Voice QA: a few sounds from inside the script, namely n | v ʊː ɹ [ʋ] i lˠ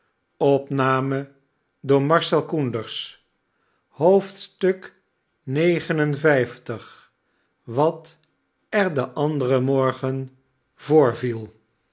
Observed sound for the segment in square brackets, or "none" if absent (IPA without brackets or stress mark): v